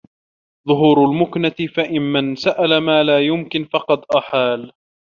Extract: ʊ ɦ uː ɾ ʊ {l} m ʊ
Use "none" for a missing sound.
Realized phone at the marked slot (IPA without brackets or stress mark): l